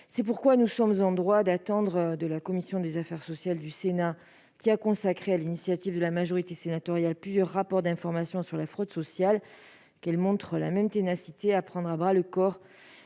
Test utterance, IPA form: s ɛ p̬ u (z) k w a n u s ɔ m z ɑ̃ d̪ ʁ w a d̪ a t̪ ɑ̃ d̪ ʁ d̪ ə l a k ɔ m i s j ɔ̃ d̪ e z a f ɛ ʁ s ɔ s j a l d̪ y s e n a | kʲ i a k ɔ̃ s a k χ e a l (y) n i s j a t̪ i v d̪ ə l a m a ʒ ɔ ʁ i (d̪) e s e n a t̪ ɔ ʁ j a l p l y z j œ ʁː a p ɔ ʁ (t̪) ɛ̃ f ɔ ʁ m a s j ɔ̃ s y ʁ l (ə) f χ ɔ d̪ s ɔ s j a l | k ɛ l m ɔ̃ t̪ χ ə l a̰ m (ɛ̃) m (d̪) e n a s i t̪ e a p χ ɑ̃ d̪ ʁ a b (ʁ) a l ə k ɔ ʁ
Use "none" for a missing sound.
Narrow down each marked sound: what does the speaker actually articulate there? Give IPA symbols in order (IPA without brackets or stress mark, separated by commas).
ʁ, i, t̪, d̪, a, ɛ, t̪, ʁ